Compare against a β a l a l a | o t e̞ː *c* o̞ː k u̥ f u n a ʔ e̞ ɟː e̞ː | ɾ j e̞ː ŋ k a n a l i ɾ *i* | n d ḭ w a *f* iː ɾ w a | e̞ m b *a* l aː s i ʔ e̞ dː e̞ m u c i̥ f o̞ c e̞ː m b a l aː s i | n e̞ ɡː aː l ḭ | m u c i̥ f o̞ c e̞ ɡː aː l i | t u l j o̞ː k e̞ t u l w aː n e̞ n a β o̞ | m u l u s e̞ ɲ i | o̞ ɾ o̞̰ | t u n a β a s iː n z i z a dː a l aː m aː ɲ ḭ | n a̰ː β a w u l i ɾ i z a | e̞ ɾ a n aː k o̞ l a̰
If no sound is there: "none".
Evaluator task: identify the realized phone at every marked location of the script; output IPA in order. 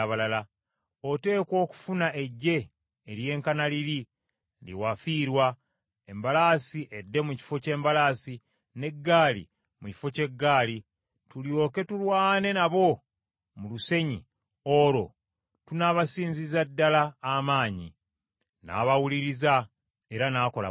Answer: k, i, f, a

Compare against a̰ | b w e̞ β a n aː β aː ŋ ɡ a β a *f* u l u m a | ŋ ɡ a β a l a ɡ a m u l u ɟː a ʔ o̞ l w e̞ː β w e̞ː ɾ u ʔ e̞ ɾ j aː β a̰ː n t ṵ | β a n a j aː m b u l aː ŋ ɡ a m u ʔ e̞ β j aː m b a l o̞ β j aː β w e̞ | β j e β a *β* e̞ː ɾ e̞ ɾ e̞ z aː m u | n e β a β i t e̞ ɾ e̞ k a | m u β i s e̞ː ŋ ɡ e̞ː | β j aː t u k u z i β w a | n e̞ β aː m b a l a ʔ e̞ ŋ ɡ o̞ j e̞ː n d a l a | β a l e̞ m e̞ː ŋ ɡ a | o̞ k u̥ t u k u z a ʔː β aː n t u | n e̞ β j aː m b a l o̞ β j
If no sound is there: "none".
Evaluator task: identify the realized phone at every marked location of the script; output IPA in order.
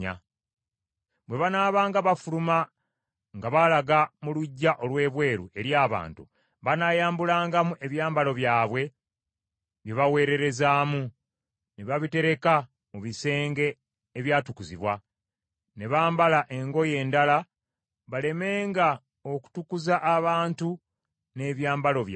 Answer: f, w

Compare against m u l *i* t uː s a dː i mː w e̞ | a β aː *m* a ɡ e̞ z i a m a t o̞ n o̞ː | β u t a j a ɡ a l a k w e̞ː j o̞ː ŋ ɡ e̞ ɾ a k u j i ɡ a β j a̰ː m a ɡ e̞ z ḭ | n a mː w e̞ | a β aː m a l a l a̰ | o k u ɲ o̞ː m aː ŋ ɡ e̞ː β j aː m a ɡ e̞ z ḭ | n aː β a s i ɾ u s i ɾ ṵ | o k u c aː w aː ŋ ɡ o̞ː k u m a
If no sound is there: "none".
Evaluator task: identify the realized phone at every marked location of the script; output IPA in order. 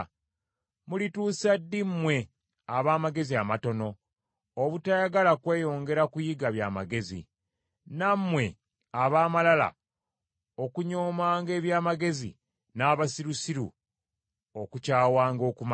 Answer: i, m

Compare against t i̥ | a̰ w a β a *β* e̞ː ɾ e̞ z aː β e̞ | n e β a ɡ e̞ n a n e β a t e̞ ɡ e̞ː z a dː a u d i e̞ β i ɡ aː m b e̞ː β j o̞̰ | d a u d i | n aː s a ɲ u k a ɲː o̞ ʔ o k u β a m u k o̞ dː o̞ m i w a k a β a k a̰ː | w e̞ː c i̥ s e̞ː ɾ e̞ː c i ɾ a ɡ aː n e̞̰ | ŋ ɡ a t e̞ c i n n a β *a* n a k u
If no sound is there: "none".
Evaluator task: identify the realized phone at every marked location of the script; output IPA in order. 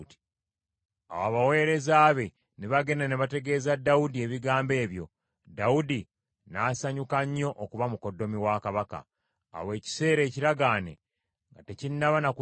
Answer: w, a

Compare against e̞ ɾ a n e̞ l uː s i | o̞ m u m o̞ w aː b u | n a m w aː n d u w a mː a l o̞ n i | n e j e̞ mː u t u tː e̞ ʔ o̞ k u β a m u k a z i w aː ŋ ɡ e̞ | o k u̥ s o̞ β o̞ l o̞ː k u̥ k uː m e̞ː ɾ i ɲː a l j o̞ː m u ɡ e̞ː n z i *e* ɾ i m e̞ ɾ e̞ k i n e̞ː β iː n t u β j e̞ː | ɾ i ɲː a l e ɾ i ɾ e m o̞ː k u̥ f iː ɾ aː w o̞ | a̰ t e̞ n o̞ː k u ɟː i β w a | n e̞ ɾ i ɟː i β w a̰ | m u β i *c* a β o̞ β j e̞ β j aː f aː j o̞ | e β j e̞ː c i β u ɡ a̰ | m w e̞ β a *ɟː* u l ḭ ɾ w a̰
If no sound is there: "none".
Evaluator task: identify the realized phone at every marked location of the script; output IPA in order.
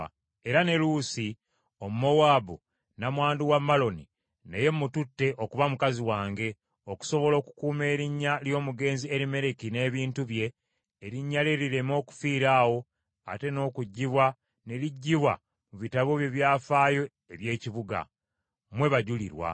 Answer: e, t, ɟ

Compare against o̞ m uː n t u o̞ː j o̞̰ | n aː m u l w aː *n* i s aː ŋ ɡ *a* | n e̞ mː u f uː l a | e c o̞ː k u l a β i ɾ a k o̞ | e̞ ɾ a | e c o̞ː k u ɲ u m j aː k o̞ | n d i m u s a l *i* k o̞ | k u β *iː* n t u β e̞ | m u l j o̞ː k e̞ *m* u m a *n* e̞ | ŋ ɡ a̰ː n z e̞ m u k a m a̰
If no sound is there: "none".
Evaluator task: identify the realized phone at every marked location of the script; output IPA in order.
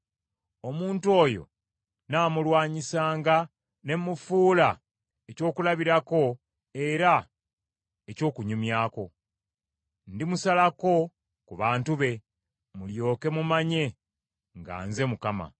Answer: ɲ, a, a, aː, m, ɲ

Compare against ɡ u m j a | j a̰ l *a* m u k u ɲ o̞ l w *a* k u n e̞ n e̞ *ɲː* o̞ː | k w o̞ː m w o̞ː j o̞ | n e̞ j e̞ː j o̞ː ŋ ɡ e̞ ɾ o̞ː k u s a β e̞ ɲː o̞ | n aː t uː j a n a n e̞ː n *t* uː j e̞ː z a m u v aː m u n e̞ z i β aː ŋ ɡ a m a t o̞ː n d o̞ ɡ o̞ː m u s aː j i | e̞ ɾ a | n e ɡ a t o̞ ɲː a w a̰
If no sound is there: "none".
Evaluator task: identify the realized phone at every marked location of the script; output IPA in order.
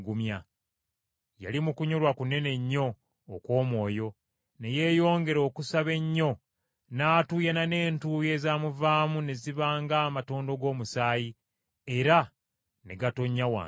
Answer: i, a, ɲː, t

